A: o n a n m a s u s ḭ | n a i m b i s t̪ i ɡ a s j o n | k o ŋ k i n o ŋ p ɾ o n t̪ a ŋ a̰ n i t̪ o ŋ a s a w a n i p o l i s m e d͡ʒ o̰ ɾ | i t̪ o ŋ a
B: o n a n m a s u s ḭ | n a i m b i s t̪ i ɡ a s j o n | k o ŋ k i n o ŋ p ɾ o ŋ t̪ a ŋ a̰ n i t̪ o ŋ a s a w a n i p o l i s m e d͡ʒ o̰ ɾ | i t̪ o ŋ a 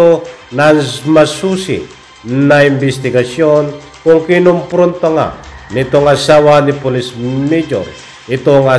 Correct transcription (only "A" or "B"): A